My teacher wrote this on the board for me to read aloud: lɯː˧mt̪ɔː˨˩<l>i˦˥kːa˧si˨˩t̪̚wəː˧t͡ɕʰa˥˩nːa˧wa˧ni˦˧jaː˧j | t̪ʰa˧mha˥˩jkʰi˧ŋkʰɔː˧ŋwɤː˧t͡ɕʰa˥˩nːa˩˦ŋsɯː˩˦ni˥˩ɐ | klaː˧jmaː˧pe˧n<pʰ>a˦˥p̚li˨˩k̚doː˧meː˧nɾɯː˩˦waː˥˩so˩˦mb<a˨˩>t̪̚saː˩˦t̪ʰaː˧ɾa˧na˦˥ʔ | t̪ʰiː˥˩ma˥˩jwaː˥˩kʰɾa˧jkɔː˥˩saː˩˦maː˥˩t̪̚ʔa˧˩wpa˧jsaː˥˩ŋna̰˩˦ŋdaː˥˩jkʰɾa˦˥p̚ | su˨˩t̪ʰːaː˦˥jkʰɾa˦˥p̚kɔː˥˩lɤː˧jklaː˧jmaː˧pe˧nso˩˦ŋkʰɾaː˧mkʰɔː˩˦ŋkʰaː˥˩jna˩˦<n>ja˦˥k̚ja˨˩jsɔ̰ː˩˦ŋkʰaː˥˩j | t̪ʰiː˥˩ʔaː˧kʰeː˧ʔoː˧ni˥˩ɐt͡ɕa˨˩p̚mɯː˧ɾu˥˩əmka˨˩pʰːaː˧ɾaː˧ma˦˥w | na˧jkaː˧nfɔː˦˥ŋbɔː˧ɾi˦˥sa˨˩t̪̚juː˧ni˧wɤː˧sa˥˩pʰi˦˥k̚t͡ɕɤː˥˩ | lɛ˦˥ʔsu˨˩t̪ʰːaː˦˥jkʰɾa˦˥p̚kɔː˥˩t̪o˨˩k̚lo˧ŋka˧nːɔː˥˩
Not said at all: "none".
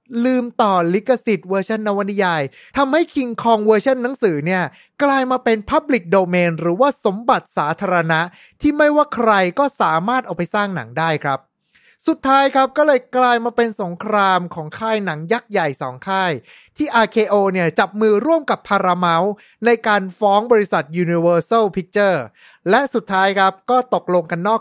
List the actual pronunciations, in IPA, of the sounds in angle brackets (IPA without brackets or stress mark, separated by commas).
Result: l, pʰ, a˨˩, ŋ